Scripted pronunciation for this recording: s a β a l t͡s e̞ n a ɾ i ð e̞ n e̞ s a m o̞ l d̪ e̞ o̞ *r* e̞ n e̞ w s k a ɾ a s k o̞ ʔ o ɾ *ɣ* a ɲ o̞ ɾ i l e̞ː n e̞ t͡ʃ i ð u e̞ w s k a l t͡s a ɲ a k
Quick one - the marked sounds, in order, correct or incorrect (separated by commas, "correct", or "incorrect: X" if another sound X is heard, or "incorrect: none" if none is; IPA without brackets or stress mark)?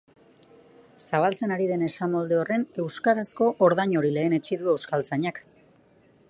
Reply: correct, incorrect: ð